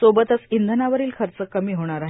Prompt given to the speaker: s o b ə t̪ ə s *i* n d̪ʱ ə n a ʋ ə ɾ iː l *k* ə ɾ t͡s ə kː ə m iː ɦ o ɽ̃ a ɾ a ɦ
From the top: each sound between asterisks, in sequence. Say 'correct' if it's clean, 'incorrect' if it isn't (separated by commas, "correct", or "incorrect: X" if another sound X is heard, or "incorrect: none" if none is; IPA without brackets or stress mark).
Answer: correct, incorrect: kʰ